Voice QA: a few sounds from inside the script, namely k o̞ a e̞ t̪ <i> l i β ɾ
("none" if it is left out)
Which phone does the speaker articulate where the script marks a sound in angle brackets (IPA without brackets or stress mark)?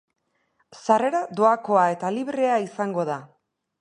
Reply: a